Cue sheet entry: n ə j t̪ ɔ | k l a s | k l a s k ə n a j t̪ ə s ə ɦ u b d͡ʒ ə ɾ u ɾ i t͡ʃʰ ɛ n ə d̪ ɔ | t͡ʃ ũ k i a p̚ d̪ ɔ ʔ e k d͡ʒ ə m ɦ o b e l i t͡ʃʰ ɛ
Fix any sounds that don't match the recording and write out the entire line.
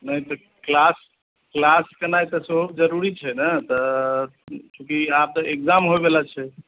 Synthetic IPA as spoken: n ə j t̪ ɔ | k l a s | k l a s k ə n a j t̪ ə s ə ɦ u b d͡ʒ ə ɾ u ɾ i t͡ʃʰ ɛ n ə t̪ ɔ | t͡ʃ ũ k i a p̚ t̪ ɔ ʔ e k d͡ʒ a m ɦ o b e l a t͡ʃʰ ɛ